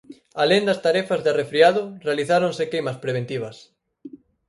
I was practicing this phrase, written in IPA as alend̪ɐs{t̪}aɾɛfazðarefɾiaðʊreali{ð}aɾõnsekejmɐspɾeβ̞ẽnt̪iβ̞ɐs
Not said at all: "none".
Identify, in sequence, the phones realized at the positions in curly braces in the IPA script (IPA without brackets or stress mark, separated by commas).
t̪, θ